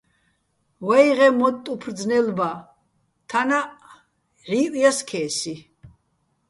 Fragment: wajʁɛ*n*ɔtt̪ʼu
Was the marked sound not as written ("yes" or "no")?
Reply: yes